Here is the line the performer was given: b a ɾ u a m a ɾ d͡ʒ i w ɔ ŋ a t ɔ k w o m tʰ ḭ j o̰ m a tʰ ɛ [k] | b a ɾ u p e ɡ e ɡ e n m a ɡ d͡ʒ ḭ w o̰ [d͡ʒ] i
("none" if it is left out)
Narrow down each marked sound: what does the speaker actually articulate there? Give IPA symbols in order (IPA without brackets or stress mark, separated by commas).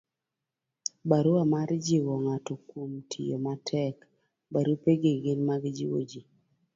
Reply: k, d͡ʒ